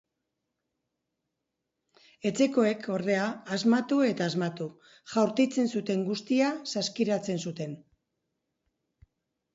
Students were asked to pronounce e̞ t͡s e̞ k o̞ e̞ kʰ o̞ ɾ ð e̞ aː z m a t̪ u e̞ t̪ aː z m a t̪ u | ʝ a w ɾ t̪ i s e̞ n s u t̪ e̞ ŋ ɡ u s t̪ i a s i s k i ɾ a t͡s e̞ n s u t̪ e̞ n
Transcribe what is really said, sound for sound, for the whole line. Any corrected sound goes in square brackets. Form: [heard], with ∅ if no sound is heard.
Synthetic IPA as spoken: e̞ t͡s e̞ k o̞ e̞ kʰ o̞ ɾ ð e̞ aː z m a t̪ u e̞ t̪ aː z m a t̪ u | ʝ a w ɾ t̪ i [t͡s] e̞ n s u t̪ e̞ ŋ ɡ u s t̪ i a s [a] s k i ɾ a t͡s e̞ n s u t̪ e̞ n